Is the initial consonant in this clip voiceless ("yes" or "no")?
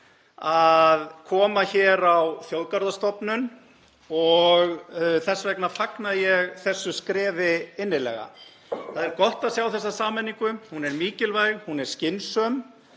no